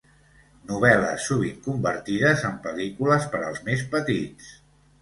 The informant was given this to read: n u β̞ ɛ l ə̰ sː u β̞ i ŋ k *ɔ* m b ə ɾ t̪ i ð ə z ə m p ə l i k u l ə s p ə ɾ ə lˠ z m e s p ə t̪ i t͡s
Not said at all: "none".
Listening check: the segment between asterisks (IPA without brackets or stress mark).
u